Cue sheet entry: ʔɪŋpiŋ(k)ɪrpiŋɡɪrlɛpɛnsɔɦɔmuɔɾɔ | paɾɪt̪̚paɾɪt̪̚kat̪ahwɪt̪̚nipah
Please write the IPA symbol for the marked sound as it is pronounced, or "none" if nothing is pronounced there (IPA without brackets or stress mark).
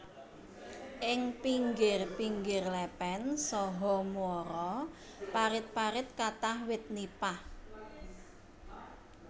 ɡ